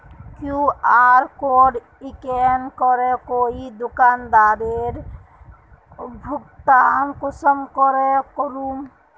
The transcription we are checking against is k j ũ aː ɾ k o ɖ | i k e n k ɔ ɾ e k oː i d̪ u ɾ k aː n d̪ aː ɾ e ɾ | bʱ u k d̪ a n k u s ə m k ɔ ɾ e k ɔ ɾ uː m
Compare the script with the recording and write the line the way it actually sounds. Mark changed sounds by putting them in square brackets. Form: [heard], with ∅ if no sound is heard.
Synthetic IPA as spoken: k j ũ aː ɾ k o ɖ | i k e n k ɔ ɾ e k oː i d̪ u [∅] k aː n d̪ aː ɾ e ɾ | bʱ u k [t̪] a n k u s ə m k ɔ ɾ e k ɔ ɾ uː m